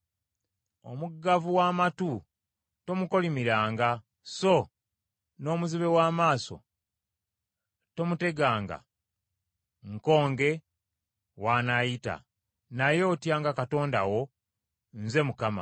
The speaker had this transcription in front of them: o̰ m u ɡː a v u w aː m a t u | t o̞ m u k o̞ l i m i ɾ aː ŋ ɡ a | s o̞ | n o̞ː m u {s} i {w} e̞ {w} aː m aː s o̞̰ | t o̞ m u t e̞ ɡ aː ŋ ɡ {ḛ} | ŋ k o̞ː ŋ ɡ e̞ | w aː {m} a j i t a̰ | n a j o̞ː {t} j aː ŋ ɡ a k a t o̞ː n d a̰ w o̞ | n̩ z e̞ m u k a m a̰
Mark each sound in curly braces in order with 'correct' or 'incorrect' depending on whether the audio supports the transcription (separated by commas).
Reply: incorrect, incorrect, correct, incorrect, incorrect, correct